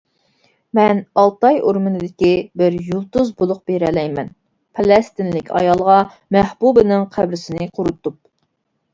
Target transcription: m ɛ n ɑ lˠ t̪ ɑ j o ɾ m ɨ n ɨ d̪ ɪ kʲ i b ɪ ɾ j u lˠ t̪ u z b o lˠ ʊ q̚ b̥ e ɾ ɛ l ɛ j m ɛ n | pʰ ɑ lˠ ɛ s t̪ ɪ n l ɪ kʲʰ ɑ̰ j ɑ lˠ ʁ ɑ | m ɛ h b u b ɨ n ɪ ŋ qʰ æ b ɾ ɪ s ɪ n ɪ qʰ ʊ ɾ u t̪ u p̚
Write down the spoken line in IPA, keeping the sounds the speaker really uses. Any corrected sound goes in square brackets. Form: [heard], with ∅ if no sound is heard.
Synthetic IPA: m ɛ n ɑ lˠ t̪ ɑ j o ɾ m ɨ n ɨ d̪ ɪ kʲ i b ɪ ɾ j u lˠ t̪ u z b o lˠ ʊ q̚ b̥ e ɾ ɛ l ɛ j m ɛ n | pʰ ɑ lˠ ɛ s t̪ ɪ n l ɪ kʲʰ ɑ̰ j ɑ lˠ ʁ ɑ | m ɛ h b u b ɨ n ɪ ŋ qʰ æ b ɾ ɪ s ɪ n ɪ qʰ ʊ ɾ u t̪ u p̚